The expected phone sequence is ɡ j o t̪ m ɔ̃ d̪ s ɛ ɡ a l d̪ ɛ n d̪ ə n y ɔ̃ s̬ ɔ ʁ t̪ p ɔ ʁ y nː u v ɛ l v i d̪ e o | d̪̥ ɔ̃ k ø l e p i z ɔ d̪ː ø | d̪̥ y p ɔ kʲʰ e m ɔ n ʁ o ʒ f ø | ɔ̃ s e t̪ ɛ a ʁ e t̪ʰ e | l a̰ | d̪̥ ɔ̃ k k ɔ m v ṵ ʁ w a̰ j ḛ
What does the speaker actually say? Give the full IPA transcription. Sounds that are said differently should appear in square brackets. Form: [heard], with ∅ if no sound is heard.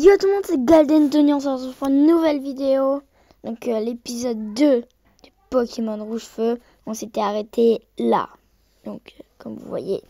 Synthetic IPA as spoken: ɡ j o t̪ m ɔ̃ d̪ s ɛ ɡ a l d̪ ɛ n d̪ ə n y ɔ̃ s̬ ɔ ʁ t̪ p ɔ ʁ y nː u v ɛ l v i d̪ e o | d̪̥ ɔ̃ k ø l e p i z ɔ d̪ː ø | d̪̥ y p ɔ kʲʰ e m ɔ n ʁ [u] ʒ f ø | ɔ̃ s e t̪ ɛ a ʁ e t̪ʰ e | l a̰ | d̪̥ ɔ̃ k k ɔ m v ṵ [v] w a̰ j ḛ